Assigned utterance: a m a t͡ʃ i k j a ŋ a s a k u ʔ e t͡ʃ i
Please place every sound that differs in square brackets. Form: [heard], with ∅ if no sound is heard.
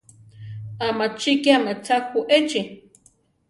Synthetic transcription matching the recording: a m a t͡ʃ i k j a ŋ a [t͡s] a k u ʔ e t͡ʃ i